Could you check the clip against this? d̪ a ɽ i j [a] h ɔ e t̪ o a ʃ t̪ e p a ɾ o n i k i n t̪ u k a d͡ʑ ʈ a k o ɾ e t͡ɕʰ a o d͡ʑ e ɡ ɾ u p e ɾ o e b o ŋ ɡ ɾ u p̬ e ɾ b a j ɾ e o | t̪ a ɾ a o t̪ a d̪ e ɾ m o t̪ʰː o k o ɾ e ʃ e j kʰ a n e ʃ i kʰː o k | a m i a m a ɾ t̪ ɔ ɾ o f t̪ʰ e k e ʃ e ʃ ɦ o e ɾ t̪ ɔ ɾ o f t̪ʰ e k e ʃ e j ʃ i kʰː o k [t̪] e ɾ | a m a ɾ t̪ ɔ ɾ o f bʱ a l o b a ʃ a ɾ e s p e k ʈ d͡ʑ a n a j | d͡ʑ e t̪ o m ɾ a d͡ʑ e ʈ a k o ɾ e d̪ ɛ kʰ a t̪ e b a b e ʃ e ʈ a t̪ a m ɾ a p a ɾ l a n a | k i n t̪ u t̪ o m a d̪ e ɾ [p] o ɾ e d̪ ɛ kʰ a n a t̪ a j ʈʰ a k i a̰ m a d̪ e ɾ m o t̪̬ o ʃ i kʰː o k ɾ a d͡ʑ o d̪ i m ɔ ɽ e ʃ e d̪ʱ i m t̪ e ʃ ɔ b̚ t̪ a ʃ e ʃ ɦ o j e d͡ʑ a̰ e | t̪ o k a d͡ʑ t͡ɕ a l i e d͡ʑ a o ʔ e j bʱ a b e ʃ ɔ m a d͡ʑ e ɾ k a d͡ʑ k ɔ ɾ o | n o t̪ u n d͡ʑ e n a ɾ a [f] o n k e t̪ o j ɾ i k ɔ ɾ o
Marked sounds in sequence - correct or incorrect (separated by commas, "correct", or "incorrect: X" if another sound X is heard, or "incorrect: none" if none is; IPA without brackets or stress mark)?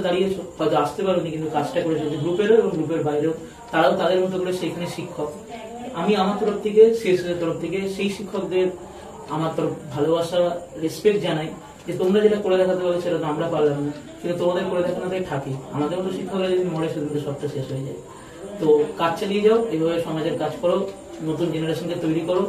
incorrect: e, incorrect: d̪, incorrect: k, incorrect: ʃ